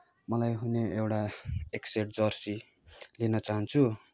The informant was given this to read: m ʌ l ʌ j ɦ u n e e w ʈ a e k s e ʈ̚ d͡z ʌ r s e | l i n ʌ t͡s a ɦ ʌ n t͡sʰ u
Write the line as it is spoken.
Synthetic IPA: m ʌ l a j ɦ u n e e w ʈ a e k s e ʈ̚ d͡z ʌ r s i | l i n ʌ t͡s a ɦ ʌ n t͡sʰ u